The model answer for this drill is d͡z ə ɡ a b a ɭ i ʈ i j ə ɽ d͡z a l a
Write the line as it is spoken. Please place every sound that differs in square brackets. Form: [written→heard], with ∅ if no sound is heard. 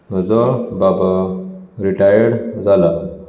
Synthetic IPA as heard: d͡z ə [ɡ→b] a b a [ɭ→ɾ] i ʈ [i→a] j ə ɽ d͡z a l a

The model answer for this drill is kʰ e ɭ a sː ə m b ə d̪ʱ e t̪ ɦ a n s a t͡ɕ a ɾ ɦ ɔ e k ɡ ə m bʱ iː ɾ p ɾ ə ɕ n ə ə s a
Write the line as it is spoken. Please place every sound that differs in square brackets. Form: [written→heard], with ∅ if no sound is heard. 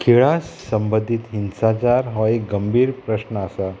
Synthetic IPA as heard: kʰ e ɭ a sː ə m b ə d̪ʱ [e→i] t̪ ɦ [a→i] n s a t͡ɕ a ɾ ɦ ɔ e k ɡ ə m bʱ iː ɾ p ɾ ə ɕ n ə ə s a

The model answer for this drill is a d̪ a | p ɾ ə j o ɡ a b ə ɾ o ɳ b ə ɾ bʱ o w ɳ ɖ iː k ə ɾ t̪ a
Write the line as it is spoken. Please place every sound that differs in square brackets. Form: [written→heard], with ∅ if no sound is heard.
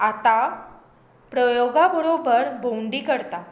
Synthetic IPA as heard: a [d̪→t̪] a | p ɾ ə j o ɡ a b ə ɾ o [ɳ→∅] b ə ɾ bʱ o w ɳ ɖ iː k ə ɾ t̪ a

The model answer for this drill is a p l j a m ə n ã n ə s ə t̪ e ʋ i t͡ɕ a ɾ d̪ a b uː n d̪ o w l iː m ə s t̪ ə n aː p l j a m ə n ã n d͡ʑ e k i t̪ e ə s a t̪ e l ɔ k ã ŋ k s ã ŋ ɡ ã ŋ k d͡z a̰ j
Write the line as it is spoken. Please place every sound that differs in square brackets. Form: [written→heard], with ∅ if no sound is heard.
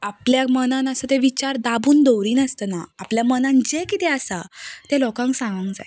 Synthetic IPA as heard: a p l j a m ə n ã n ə s ə t̪ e ʋ i t͡ɕ a ɾ d̪ a b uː n d̪ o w [l→ɾ] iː [m→n] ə s t̪ ə n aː p l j a m ə n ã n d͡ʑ e k i t̪ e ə s a t̪ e l ɔ k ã ŋ k s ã ŋ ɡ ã ŋ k d͡z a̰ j

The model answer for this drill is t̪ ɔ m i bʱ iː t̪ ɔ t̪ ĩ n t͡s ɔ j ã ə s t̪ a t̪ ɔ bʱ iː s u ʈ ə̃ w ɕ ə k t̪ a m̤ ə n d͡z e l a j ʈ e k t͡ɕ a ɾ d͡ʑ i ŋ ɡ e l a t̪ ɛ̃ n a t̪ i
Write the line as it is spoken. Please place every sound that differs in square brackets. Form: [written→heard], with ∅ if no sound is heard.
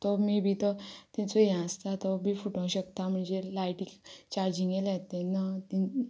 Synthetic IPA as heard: t̪ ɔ m i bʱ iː t̪ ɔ t̪ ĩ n t͡s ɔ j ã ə s t̪ a t̪ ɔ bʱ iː [s→f] u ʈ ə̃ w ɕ ə k t̪ a m̤ ə [n→ɳ] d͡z e l a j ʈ [e→i] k t͡ɕ a ɾ d͡ʑ i ŋ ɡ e l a t̪ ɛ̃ n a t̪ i

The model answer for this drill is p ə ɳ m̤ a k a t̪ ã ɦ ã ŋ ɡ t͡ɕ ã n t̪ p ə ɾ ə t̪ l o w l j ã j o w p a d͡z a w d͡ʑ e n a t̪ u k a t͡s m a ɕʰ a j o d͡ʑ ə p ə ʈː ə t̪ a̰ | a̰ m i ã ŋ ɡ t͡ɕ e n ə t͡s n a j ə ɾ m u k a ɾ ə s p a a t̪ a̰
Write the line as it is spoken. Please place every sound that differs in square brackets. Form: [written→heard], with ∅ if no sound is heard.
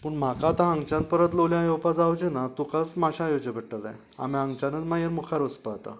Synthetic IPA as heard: p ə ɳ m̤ a k a t̪ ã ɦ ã ŋ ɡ t͡ɕ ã n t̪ p ə ɾ ə t̪ l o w l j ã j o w p a d͡z a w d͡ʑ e n a t̪ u k a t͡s m a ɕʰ a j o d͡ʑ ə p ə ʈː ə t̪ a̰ | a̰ m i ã ŋ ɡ t͡ɕ [e→a] n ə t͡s [n→m] a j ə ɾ m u [k→kʰ] a ɾ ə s p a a t̪ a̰

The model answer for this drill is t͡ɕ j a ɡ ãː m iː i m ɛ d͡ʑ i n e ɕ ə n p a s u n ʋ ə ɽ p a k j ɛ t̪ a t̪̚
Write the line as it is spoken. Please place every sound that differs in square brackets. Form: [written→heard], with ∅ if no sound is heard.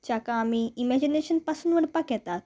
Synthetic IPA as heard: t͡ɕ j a [ɡ→k] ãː m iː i m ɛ d͡ʑ i n e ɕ ə n p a s u n ʋ ə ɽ p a k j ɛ t̪ a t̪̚

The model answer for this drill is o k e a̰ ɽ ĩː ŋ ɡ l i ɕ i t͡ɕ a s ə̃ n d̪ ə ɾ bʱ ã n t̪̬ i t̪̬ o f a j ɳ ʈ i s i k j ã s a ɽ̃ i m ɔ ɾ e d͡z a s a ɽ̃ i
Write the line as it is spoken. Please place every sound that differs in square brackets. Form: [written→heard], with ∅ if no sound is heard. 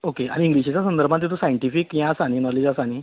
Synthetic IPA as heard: o k e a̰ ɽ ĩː ŋ ɡ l i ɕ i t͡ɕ a s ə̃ n d̪ ə ɾ bʱ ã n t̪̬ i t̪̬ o [f→s] a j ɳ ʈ i [s→f] i k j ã s a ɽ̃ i [m→n] ɔ [ɾ→l] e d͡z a s a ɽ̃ i

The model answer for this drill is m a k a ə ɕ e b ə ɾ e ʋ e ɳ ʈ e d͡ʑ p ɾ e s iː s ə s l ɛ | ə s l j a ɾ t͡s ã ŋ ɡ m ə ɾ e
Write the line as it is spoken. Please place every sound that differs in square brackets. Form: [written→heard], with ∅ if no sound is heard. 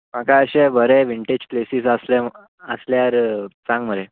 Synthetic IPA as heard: m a k a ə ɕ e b ə ɾ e ʋ [e→i] ɳ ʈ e d͡ʑ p [ɾ→l] e s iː s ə s l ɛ | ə s l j a ɾ t͡s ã ŋ ɡ m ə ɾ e

